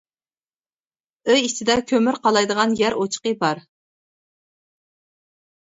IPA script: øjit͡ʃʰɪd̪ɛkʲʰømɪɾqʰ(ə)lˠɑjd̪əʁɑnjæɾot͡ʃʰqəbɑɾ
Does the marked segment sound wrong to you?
yes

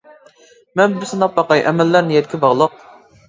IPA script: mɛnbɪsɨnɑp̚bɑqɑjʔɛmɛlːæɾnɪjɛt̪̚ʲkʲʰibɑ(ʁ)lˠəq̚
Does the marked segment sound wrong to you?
no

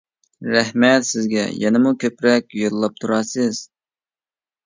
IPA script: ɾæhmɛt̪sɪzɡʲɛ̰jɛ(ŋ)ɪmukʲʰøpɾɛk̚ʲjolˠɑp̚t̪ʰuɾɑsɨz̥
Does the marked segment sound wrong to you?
yes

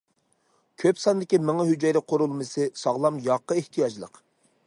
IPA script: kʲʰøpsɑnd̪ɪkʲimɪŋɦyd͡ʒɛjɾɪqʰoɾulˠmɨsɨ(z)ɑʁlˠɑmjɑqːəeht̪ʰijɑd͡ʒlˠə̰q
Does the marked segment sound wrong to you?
yes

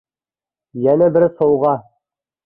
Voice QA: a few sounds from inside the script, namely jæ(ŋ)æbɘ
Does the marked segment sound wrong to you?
yes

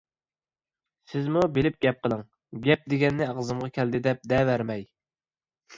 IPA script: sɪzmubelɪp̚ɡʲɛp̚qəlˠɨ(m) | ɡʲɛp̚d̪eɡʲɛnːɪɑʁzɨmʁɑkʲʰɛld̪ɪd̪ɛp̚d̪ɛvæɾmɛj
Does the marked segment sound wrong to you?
yes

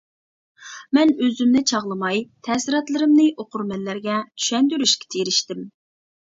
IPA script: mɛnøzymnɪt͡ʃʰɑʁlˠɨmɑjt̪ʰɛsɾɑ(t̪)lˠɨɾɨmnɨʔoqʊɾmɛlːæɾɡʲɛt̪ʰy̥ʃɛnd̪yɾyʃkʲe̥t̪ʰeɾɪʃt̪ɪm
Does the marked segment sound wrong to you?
no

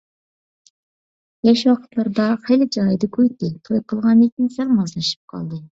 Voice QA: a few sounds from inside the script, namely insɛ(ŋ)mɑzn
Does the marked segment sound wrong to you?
no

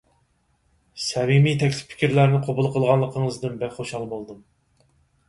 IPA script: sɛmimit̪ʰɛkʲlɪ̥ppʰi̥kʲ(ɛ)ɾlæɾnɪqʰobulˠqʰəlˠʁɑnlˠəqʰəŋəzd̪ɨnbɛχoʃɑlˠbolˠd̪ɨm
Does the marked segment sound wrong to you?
yes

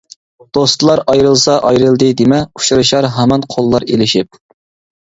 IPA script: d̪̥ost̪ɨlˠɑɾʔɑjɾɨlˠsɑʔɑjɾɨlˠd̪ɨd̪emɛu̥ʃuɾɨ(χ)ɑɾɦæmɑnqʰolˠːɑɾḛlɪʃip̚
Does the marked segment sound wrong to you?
yes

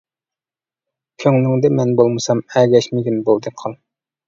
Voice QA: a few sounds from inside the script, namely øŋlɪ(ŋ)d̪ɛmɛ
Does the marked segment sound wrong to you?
no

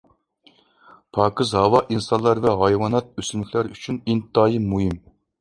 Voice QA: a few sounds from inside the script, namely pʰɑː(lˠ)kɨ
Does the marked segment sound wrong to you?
yes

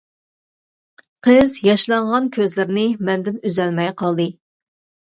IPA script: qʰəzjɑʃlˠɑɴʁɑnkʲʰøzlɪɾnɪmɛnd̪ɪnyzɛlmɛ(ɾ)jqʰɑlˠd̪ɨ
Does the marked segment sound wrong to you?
yes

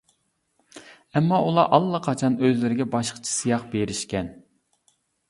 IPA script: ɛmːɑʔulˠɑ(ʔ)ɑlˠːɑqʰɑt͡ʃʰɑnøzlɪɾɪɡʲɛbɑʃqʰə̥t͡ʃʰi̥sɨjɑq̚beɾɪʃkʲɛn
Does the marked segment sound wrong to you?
no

